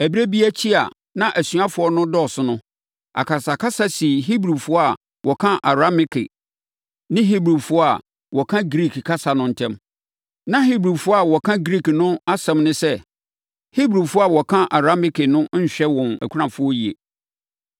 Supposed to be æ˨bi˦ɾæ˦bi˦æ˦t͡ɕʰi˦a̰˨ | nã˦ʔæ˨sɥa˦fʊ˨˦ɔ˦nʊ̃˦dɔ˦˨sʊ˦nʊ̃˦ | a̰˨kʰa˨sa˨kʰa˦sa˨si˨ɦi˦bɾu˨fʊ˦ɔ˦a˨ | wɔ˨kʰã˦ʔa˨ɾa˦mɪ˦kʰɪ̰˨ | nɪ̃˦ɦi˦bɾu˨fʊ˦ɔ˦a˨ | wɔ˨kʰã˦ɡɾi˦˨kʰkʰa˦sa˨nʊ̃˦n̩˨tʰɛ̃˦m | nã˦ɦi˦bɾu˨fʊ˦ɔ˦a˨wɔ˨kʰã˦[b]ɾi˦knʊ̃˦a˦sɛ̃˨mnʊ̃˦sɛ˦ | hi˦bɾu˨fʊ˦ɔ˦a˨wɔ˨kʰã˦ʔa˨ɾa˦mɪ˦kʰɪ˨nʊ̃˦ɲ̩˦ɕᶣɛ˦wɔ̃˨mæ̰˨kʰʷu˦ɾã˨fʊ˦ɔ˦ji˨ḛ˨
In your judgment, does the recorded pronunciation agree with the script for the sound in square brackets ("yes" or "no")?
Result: no